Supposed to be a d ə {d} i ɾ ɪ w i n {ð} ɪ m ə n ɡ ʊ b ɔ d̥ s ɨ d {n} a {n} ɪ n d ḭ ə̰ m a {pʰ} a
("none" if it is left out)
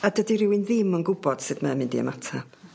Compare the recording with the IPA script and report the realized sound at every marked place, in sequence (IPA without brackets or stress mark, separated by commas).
d, ð, m, m, tʰ